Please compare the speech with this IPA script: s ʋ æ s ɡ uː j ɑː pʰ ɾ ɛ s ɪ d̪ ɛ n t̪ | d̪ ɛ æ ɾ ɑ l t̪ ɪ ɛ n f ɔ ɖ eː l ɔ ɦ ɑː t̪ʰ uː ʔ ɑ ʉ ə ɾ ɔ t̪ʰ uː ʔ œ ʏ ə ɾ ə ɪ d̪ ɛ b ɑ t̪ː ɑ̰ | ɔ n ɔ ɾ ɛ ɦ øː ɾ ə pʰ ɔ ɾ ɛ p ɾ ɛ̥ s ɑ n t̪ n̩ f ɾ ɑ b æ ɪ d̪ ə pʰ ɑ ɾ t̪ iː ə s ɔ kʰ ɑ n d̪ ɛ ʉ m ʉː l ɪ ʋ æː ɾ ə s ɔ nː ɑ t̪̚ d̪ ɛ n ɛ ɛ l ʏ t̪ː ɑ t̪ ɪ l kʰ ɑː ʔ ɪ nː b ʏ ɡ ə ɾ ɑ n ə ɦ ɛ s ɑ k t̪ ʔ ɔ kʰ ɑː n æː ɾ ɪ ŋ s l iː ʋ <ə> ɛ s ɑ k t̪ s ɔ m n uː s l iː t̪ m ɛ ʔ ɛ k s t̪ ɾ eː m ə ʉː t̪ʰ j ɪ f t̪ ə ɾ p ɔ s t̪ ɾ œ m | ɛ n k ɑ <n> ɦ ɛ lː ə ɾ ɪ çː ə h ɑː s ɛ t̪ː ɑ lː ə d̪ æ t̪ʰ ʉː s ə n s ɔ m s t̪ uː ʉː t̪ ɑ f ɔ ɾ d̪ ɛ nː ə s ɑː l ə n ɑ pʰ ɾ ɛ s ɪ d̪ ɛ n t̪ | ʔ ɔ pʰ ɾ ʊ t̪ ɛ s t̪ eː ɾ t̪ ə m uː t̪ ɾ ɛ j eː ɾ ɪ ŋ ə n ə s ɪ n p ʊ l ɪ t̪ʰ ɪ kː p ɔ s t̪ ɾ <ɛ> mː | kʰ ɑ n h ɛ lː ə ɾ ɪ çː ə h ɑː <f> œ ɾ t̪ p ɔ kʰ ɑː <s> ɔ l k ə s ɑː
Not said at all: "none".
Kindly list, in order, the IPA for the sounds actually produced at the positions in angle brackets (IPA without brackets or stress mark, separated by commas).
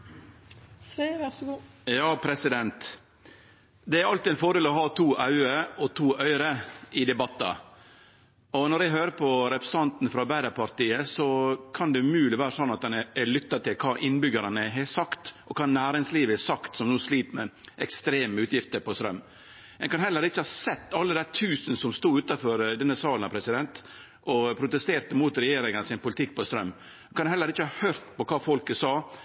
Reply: ə, n, œ, h, f